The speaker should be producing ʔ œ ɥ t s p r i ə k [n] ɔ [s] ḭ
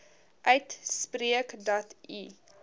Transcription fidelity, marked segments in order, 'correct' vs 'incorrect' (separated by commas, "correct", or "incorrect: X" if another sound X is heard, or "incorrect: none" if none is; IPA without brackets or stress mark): incorrect: d, incorrect: t